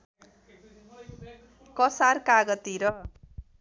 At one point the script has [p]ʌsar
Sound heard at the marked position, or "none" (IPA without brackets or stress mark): k